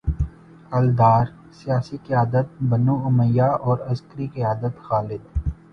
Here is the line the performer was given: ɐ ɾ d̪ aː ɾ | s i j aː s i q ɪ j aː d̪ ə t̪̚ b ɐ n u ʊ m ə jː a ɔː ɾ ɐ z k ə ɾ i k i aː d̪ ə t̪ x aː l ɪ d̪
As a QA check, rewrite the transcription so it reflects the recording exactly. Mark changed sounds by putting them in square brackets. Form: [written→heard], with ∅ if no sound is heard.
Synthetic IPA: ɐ [ɾ→l] d̪ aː ɾ | s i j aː s i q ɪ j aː d̪ ə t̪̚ b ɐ n u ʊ m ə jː a ɔː ɾ ɐ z k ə ɾ i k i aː d̪ ə t̪ x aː l ɪ d̪

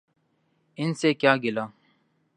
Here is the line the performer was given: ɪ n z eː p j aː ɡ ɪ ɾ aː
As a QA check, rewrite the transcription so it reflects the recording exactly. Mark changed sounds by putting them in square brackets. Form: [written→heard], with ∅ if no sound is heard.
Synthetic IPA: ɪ n [z→s] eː [p→k] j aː ɡ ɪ [ɾ→l] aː

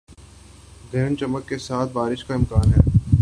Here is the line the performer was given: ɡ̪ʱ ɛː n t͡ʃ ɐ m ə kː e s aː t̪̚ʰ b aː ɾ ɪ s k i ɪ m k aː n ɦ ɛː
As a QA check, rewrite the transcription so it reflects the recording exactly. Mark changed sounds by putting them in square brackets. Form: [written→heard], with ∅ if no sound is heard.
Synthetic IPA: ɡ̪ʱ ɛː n t͡ʃ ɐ m ə kː e s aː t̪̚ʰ b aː ɾ ɪ [s→ʃ] k [i→a] ɪ m k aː n ɦ ɛː

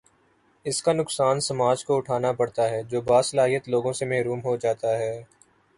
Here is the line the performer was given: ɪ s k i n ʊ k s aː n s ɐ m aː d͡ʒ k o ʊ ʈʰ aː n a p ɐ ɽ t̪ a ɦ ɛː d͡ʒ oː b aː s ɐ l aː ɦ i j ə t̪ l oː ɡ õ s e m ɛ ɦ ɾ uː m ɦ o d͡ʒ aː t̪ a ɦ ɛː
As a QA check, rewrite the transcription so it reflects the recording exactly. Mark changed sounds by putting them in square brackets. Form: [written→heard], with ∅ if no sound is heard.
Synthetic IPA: ɪ s k [i→a] n ʊ k s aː n s ɐ m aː d͡ʒ k o ʊ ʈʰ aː n a p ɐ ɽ t̪ a ɦ ɛː d͡ʒ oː b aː s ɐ l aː ɦ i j ə t̪ l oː ɡ õ s e m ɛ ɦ ɾ uː m ɦ o d͡ʒ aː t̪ a ɦ ɛː

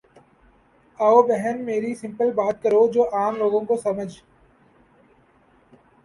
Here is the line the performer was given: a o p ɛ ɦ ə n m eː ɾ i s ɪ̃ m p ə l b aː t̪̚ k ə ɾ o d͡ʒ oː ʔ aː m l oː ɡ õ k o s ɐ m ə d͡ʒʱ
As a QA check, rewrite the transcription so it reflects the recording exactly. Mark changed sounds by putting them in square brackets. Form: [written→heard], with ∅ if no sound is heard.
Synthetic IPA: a o [p→b] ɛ ɦ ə n m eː ɾ i s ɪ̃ m p ə l b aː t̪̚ k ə ɾ o d͡ʒ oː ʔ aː m l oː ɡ õ k o s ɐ m ə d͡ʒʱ

